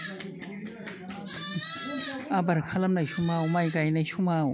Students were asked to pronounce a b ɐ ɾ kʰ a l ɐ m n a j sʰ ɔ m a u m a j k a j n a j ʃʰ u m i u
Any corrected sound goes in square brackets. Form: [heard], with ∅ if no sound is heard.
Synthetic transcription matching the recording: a b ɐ ɾ kʰ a l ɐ m n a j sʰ [u] m a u m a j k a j n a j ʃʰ u m [a] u